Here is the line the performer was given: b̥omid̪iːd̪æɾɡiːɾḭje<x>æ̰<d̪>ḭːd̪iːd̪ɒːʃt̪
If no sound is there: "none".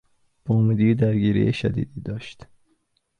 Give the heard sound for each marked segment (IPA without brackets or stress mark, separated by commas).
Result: ʃ, d̪